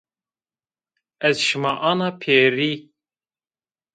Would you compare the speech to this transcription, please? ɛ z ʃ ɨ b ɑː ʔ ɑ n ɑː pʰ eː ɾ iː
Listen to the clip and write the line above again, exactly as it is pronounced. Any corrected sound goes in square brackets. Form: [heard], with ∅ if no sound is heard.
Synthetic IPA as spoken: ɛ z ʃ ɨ [m] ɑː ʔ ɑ n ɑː pʰ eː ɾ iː